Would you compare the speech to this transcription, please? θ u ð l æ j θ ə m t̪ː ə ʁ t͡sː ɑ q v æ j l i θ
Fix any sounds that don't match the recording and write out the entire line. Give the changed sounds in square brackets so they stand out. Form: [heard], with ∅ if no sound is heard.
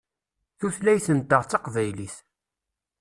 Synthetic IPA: θ u [θ] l æ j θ ə [n] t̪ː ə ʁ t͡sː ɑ q v æ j l i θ